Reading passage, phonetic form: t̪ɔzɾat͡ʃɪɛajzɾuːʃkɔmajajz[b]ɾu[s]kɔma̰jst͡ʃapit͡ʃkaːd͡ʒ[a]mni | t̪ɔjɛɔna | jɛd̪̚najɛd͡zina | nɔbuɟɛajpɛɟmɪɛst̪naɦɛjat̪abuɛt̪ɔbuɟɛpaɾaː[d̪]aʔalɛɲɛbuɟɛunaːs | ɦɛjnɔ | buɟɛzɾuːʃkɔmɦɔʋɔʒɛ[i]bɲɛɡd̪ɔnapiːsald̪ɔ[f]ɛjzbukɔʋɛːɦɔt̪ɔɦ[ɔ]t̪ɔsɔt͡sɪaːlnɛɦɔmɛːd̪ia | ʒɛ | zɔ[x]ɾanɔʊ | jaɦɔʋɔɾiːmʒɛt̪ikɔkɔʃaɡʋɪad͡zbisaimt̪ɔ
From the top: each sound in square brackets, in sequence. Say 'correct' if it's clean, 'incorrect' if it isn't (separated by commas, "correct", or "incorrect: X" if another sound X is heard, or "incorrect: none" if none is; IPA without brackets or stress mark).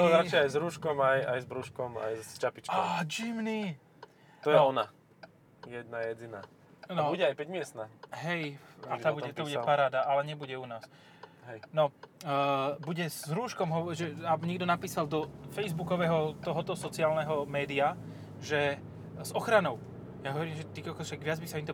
correct, incorrect: ʃ, incorrect: i, correct, incorrect: a, correct, correct, correct